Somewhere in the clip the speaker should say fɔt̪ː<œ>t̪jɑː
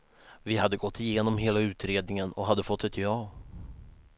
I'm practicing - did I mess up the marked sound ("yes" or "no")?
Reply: yes